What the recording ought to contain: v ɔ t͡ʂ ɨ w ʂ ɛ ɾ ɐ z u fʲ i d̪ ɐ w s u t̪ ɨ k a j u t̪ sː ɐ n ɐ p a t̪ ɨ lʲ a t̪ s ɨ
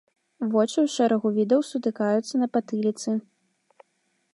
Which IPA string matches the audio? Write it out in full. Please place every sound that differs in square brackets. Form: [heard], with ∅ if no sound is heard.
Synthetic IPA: v ɔ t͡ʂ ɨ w ʂ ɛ ɾ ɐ [ɣ] u [vʲ] i d̪ ɐ w s u t̪ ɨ k a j u t̪ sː ɐ n ɐ p a t̪ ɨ lʲ [i] t̪ s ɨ

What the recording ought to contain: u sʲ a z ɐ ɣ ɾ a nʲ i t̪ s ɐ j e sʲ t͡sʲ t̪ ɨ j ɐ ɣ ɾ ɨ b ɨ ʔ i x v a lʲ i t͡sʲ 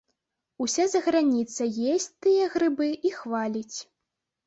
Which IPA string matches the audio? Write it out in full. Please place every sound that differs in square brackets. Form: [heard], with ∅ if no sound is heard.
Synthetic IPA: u sʲ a z ɐ ɣ ɾ a nʲ i t̪ s ɐ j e sʲ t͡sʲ t̪ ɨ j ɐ ɣ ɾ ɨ b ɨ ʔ i x v a lʲ i t͡sʲ

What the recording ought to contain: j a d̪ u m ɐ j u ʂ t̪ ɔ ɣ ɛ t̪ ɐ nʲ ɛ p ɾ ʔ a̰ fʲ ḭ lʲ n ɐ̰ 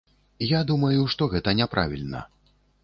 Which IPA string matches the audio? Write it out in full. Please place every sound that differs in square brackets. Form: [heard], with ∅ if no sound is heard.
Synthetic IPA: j a d̪ u m ɐ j u ʂ t̪ ɔ ɣ ɛ t̪ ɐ nʲ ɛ p ɾ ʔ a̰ [vʲ] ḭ lʲ n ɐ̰

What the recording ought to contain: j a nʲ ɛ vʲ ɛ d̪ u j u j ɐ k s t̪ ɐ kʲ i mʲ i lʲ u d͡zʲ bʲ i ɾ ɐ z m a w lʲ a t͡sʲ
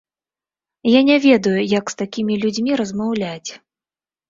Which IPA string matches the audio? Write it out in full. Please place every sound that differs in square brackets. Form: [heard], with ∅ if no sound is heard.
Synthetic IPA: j a nʲ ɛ vʲ ɛ d̪ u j u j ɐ k s t̪ [a] kʲ i mʲ i lʲ u d͡zʲ [mʲ] i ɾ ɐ z m a w lʲ a t͡sʲ

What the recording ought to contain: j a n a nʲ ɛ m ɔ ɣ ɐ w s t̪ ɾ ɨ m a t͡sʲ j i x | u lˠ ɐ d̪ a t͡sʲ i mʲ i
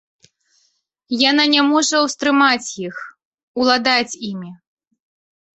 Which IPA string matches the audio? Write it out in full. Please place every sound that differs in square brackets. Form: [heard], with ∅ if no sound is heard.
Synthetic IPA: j a n a nʲ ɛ m ɔ [ʐ] ɐ w s t̪ ɾ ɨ m a t͡sʲ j i x | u lˠ [a] d̪ a t͡sʲ i mʲ i

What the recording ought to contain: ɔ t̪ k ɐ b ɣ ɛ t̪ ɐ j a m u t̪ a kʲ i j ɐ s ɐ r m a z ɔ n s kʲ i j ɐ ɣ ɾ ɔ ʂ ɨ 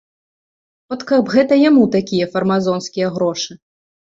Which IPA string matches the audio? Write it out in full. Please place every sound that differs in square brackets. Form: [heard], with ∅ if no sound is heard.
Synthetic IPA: ɔ t̪ k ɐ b ɣ ɛ t̪ ɐ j a m u t̪ a kʲ i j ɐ [f] ɐ r m a z ɔ n s kʲ i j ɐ ɣ ɾ ɔ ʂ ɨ

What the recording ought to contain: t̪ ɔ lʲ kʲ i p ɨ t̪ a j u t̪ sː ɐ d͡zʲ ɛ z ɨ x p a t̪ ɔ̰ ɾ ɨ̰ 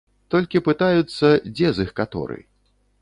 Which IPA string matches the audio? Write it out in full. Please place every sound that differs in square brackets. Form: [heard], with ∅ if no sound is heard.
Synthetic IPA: t̪ ɔ lʲ kʲ i p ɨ t̪ a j u t̪ sː ɐ d͡zʲ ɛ z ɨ x [k] a t̪ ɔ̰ ɾ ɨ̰

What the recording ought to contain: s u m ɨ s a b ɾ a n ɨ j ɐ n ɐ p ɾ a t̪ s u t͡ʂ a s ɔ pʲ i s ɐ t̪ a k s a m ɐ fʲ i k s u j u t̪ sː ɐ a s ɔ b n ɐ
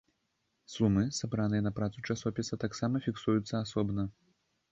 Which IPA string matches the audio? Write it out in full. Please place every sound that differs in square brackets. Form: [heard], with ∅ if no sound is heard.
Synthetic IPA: s u m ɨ s a b ɾ a n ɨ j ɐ n ɐ p ɾ a t̪ s u t͡ʂ a s ɔ pʲ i s ɐ t̪ a k s a m ɐ fʲ i k s u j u t̪ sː ɐ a s ɔ b n ɐ

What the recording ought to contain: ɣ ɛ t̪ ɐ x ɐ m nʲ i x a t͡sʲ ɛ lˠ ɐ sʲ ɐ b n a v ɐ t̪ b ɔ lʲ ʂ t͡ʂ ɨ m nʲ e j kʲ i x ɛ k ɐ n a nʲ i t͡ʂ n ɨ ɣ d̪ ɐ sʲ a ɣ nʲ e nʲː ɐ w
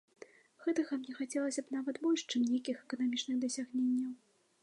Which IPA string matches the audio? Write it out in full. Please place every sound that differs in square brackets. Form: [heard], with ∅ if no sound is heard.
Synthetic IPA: ɣ ɛ t̪ ɐ [ɣ] ɐ m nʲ [ɛ] x a t͡sʲ ɛ lˠ ɐ sʲ ɐ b n a v ɐ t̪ b ɔ lʲ ʂ t͡ʂ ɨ m nʲ e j kʲ i x ɛ k ɐ n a [mʲ] i t͡ʂ n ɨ ɣ d̪ ɐ sʲ a ɣ nʲ e nʲː ɐ w

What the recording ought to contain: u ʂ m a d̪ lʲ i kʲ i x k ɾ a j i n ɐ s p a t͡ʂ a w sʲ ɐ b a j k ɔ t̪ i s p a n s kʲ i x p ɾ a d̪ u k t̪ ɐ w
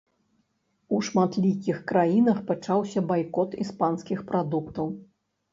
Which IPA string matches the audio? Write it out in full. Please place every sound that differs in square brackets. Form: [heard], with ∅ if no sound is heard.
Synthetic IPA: u ʂ m a [t̪] lʲ i kʲ i x k ɾ a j i n ɐ [x] p a t͡ʂ a w sʲ ɐ b a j k ɔ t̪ i s p a n s kʲ i x p ɾ a d̪ u k t̪ ɐ w

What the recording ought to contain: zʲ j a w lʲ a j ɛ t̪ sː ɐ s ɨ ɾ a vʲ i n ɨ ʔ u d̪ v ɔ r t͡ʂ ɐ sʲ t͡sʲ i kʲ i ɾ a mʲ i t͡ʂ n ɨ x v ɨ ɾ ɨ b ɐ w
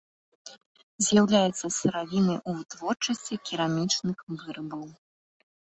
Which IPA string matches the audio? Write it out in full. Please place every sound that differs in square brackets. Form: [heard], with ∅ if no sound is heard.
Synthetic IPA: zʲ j a w lʲ a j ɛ t̪ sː ɐ s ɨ ɾ a vʲ i n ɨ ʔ u [t̪] v ɔ r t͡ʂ ɐ sʲ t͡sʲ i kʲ i ɾ a mʲ i t͡ʂ n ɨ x v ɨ ɾ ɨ b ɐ w

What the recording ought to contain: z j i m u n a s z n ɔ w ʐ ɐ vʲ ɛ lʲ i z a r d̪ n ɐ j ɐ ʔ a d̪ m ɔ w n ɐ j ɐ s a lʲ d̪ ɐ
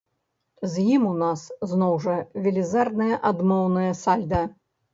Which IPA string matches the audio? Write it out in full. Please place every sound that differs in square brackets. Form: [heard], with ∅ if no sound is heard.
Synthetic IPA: z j i m u n a s z n ɔ w ʐ ɐ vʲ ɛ lʲ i z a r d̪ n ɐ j ɐ ʔ a d̪ m ɔ w n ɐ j ɐ s a lʲ d̪ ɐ

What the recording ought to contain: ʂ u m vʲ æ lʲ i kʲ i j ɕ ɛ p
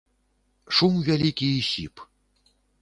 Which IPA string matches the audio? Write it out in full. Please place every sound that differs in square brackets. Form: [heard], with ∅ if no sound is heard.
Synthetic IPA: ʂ u m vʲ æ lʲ i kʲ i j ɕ [i] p

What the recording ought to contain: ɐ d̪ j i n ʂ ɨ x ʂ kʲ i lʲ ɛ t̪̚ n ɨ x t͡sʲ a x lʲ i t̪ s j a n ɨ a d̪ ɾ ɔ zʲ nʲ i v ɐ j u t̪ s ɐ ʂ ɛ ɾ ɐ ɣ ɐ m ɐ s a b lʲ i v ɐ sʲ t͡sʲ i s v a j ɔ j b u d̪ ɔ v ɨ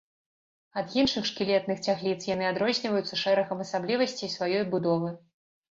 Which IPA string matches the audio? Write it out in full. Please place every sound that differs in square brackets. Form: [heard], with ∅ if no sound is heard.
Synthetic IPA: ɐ d̪ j i n ʂ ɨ x ʂ kʲ i lʲ ɛ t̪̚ n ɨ x t͡sʲ a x lʲ i t̪ s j a n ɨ a d̪ ɾ ɔ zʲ nʲ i v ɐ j u t̪ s ɐ ʂ ɛ ɾ ɐ ɣ ɐ m ɐ s a b lʲ i v ɐ sʲ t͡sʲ i s v a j ɔ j b u d̪ ɔ v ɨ

